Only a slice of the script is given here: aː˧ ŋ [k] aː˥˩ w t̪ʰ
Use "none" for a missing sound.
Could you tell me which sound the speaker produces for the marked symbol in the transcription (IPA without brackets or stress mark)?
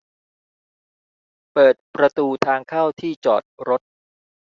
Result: kʰ